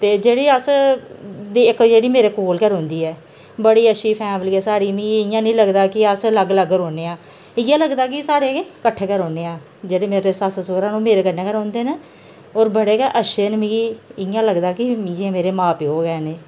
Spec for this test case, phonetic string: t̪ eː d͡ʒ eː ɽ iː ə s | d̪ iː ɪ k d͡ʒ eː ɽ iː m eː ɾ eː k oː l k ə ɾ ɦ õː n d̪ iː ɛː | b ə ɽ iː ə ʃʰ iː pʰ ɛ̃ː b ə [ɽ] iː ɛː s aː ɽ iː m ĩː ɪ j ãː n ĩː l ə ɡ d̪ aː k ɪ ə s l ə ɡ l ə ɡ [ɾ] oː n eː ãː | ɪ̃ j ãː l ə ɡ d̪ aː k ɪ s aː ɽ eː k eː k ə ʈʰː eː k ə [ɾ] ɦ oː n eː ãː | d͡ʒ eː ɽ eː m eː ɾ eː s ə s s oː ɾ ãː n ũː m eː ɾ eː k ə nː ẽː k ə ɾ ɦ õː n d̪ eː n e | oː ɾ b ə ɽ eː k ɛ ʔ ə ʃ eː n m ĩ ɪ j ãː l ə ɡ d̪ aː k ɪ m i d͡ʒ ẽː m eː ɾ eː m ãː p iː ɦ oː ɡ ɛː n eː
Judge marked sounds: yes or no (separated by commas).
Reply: no, yes, yes